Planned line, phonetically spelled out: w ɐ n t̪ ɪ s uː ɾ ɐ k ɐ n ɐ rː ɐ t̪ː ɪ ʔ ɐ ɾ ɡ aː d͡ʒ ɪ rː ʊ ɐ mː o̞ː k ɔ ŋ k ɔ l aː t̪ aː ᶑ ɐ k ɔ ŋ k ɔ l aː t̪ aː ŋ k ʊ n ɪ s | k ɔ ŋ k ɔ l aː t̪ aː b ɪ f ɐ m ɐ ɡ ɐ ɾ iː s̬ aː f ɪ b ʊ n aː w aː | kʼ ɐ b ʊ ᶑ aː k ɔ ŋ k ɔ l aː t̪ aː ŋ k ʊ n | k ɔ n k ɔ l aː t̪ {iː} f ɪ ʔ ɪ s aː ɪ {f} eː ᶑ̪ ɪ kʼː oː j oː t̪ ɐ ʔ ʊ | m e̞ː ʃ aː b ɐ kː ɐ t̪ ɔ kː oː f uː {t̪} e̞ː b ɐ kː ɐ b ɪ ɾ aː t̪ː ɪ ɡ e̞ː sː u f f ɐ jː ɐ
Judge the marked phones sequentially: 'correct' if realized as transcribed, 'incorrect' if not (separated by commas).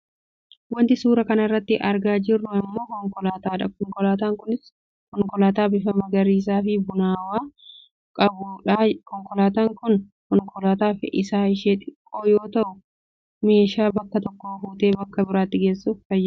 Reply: incorrect, incorrect, correct